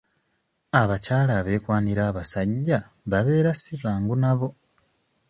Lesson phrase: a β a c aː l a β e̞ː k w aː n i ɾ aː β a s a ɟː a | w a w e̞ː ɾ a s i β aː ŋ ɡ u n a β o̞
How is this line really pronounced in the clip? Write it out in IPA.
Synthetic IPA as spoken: a β a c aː l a β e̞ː k w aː n i ɾ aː β a s a ɟː a | β a β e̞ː ɾ a s i β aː ŋ ɡ u n a β o̞